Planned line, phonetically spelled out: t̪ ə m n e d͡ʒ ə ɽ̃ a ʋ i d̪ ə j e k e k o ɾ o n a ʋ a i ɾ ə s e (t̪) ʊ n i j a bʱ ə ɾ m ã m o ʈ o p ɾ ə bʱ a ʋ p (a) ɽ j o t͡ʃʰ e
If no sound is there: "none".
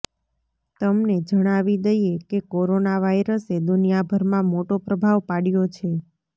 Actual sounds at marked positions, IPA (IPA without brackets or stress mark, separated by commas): d̪, a